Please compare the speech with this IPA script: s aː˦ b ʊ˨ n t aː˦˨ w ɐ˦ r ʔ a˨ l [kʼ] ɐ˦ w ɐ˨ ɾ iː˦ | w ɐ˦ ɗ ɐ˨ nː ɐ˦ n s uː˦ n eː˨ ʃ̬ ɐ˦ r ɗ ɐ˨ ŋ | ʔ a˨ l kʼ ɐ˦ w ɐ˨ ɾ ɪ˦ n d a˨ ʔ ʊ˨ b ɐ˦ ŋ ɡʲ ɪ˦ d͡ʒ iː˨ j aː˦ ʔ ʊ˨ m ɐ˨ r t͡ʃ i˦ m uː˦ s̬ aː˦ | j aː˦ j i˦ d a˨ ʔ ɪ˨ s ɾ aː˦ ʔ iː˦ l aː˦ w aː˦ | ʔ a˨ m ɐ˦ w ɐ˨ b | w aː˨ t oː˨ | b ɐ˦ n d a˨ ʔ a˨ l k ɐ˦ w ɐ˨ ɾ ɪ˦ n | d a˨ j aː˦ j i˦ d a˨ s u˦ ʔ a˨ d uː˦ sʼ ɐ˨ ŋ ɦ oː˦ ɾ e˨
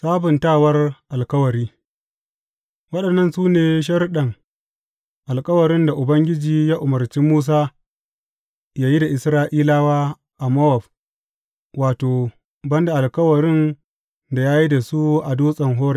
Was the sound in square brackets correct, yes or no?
no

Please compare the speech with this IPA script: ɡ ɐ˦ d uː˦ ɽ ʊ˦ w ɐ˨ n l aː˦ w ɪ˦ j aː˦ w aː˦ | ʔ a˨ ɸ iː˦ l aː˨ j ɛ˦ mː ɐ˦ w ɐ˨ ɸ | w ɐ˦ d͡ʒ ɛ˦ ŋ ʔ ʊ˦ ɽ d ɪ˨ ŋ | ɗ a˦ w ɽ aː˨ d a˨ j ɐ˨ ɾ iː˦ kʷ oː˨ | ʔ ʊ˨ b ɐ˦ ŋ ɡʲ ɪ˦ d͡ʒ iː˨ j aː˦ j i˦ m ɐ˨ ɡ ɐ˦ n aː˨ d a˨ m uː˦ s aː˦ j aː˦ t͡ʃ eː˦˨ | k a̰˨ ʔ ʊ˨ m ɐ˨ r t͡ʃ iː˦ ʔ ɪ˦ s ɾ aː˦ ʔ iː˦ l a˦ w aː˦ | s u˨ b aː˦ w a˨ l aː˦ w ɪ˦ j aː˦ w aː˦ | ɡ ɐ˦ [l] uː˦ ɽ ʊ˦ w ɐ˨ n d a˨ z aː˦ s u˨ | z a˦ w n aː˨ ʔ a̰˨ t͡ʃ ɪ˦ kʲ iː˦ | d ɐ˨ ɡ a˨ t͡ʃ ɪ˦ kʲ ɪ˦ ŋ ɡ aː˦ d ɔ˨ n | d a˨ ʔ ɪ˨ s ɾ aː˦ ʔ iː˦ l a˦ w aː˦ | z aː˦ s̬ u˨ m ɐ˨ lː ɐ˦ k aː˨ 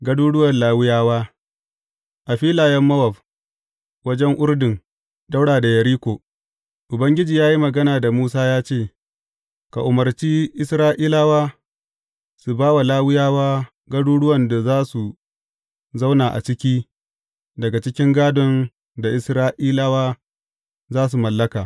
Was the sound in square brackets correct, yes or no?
no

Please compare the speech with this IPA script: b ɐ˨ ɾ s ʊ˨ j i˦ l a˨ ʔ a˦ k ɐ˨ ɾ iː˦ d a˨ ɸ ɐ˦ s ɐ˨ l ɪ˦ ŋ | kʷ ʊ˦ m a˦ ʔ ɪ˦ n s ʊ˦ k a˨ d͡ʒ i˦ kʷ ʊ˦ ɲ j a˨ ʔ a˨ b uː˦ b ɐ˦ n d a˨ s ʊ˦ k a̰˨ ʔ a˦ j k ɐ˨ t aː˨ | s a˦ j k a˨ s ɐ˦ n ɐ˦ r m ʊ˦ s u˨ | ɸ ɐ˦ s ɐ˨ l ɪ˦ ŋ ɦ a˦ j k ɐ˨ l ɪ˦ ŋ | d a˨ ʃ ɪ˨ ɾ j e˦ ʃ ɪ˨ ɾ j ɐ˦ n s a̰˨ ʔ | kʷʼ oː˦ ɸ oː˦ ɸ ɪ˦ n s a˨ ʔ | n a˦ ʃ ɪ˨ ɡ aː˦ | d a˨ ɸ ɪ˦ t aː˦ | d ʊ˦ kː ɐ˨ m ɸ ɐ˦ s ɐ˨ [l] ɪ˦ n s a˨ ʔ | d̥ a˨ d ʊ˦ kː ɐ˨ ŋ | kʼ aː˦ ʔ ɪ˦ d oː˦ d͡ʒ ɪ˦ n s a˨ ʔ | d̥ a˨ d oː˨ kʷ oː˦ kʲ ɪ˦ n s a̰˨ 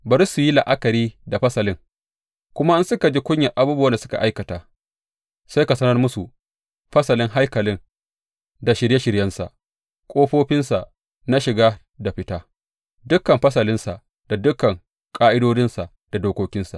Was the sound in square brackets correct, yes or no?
yes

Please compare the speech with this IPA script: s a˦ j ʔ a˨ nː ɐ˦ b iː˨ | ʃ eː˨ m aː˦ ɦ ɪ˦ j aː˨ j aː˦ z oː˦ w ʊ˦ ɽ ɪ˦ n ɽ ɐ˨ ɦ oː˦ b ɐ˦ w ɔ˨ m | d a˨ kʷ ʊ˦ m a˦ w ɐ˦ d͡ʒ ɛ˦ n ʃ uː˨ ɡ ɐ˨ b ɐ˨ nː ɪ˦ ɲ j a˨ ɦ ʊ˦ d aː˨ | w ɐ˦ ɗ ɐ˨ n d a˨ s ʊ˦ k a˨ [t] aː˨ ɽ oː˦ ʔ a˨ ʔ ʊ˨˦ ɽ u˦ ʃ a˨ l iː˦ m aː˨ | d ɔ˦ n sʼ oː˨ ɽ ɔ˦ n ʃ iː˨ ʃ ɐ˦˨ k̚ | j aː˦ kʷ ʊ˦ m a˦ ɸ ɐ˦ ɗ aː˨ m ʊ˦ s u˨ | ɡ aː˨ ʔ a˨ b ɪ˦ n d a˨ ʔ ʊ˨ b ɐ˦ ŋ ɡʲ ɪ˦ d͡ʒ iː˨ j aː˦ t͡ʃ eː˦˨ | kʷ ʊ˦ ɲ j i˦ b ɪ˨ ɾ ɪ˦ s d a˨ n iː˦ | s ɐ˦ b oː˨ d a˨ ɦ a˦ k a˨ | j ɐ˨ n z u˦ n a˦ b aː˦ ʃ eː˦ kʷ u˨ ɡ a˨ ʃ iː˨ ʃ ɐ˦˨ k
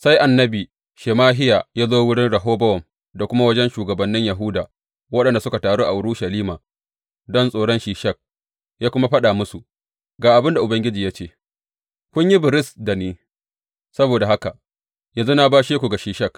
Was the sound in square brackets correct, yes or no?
yes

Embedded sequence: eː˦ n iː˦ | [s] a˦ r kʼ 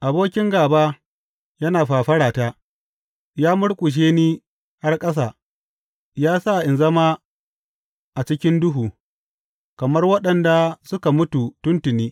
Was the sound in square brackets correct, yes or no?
no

